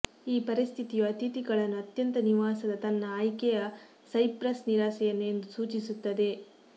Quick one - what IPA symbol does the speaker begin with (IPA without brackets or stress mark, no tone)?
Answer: iː